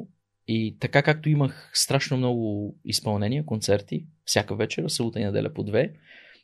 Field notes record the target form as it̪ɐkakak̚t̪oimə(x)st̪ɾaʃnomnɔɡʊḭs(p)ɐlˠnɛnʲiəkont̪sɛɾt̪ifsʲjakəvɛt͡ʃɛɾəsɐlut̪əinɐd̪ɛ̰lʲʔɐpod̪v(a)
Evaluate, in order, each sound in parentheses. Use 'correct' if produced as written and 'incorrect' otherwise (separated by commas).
correct, correct, incorrect